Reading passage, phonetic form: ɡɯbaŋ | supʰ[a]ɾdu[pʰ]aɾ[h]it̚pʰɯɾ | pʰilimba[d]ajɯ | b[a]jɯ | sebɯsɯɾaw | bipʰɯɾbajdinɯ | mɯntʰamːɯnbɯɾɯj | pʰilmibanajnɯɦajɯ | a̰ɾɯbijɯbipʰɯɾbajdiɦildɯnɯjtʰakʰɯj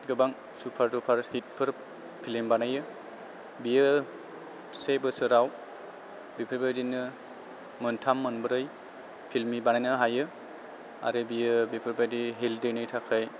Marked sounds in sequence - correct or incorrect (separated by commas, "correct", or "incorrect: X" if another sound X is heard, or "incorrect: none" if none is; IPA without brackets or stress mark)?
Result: correct, correct, correct, incorrect: n, incorrect: i